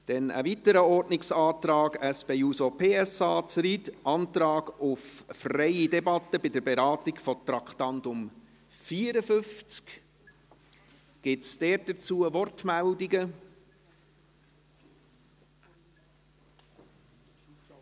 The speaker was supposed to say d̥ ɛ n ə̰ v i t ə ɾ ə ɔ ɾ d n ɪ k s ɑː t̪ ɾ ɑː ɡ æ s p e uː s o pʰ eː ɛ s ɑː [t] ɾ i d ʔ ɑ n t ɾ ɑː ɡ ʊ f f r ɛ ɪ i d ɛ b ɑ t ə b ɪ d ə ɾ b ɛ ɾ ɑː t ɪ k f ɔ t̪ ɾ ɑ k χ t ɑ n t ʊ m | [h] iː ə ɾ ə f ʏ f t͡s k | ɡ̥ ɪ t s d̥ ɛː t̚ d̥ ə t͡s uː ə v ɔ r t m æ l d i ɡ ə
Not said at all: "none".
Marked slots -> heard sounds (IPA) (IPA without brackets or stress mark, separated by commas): t͡s, f